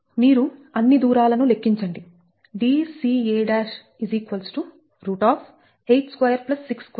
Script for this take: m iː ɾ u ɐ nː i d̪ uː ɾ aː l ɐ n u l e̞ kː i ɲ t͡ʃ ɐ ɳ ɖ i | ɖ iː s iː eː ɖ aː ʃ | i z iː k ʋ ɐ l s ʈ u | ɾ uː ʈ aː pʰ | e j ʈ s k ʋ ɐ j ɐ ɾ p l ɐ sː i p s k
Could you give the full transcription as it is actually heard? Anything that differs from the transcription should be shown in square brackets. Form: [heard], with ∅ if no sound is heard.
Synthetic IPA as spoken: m iː ɾ u ɐ nː i d̪ uː ɾ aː l ɐ n u l e̞ kː i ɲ t͡ʃ ɐ ɳ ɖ i | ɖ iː s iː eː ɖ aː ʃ | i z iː k ʋ ɐ l s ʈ u | ɾ uː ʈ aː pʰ | e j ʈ s k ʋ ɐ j ɐ ɾ p l ɐ sː i [k] s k